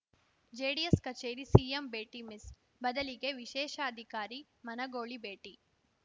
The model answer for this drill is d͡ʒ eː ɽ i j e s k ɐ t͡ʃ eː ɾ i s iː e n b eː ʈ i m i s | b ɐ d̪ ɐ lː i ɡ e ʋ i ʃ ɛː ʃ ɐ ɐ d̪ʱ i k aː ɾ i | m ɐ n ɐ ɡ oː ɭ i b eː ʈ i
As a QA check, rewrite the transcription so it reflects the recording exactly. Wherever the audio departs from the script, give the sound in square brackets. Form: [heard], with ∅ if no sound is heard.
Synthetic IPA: d͡ʒ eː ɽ i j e s k ɐ t͡ʃ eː ɾ i s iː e [m] b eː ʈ i m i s | b ɐ d̪ ɐ [l] i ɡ e ʋ i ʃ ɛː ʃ ɐ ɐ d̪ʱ i k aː ɾ i | m ɐ n ɐ ɡ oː ɭ i b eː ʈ i